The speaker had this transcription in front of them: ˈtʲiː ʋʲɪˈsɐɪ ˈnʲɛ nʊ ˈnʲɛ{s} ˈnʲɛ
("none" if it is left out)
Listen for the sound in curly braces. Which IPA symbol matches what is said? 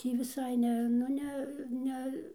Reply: none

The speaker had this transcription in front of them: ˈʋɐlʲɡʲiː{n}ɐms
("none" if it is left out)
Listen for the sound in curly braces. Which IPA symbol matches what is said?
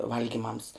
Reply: m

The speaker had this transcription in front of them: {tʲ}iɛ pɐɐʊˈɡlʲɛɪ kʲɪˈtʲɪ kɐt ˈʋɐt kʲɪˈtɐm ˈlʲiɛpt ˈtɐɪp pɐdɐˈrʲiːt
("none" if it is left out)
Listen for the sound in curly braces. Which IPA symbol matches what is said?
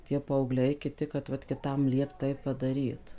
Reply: tʲ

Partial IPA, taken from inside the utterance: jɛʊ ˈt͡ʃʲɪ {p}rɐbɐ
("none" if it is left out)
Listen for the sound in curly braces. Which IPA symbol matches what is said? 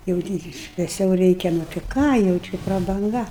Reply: p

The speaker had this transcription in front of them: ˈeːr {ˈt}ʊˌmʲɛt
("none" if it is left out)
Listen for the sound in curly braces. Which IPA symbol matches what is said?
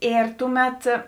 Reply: t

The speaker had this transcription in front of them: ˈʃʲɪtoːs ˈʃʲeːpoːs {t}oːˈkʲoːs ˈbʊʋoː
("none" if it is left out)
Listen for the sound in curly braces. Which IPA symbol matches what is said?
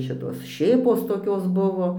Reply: t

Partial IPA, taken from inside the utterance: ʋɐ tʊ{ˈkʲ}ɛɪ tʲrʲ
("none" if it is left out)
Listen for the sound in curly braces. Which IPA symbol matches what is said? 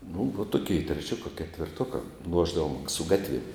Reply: kʲ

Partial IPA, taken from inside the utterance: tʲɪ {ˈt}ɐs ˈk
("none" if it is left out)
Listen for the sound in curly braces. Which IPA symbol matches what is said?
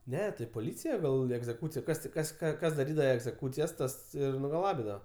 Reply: k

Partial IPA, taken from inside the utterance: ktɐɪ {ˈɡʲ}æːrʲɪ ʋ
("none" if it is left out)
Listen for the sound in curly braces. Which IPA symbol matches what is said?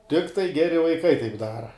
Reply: ɡʲ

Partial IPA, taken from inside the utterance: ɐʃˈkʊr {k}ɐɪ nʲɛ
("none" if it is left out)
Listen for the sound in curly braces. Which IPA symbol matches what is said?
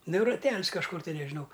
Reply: t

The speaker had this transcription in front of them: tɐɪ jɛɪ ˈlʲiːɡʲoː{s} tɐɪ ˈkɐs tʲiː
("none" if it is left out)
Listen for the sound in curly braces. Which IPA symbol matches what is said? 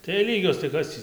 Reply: s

